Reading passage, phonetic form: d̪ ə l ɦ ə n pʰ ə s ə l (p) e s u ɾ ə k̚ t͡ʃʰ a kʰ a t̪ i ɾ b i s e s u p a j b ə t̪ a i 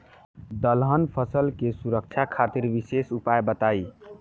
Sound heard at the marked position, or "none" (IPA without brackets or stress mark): k